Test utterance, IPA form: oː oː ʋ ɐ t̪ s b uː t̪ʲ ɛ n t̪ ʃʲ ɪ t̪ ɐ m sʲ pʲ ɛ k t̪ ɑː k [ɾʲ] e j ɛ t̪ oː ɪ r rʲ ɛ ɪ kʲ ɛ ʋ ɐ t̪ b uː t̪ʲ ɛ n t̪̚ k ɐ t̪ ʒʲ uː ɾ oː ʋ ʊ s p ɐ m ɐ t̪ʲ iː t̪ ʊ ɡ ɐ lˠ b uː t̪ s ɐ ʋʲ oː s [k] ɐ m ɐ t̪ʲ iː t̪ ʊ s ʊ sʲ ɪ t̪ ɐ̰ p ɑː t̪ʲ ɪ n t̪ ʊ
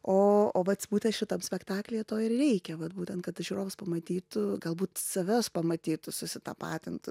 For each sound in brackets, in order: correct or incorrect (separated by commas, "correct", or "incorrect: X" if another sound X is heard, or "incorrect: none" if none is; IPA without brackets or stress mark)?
incorrect: lʲ, incorrect: p